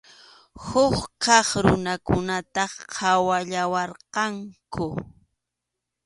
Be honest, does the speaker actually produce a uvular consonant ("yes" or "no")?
yes